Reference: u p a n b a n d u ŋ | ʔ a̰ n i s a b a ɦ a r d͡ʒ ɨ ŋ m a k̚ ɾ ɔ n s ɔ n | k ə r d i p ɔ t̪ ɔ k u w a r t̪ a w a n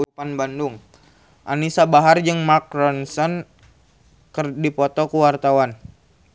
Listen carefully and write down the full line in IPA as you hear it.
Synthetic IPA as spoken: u p a n b a n d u ŋ | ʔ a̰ n i s a b a ɦ a r d͡ʒ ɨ ŋ m a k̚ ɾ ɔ n s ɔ n | k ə r d i p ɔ t̪ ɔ k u w a r t̪ a w a n